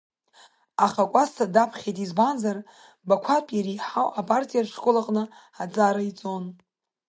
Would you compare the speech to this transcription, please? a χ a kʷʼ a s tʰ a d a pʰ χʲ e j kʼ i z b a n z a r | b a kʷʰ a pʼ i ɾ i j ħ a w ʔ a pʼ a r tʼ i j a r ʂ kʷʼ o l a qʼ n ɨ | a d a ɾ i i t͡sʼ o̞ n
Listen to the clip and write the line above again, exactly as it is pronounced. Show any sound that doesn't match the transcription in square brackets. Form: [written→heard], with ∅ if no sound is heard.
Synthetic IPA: a χ a kʷʼ a s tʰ a d a pʰ χʲ e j [kʼ→tʼ] i z b a n z a r | b a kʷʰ a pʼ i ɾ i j ħ a w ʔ a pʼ a r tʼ i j a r ʂ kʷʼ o l a qʼ n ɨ | a [d→d͡z] a ɾ [i→a] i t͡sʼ o̞ n